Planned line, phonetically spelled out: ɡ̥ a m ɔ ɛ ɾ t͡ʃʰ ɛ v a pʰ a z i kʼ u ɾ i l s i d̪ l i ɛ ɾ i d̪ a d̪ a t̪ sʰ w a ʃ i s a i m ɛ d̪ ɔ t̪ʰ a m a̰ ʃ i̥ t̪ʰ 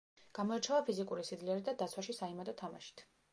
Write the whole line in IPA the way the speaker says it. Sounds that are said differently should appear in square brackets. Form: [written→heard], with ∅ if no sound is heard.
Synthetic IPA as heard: ɡ̥ a m ɔ ɛ ɾ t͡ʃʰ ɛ v a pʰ [a→i] z i kʼ u ɾ i [l→∅] s i d̪ l i ɛ ɾ i d̪ a d̪ a t̪ sʰ w a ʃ i s a i m [ɛ→a] d̪ ɔ t̪ʰ a m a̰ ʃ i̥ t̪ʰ